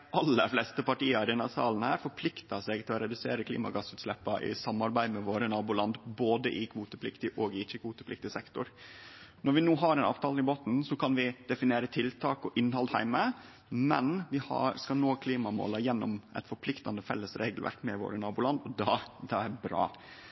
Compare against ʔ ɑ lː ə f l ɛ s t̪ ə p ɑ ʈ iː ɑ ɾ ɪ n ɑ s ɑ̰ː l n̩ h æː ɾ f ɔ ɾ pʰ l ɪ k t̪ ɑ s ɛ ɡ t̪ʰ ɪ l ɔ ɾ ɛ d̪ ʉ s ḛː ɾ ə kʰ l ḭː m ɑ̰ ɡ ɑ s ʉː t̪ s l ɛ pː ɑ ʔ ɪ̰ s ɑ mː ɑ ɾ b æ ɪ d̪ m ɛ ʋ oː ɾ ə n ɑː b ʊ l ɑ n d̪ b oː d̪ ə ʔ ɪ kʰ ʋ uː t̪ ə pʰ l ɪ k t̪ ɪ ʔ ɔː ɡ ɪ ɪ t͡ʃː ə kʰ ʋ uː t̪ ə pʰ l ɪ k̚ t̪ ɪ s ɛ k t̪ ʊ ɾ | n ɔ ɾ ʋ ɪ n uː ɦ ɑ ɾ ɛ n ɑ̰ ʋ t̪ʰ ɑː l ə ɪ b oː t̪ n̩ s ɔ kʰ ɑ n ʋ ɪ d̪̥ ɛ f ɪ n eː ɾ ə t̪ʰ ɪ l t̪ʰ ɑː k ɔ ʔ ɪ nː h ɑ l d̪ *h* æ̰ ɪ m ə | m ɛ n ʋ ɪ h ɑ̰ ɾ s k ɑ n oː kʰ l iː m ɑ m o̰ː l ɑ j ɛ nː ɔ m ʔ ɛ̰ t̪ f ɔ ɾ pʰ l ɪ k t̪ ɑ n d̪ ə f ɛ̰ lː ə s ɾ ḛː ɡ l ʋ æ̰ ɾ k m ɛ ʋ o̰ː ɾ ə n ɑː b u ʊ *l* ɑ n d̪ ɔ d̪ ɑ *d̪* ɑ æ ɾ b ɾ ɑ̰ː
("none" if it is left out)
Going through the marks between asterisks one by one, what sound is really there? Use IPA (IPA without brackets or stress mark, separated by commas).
h, l, d̪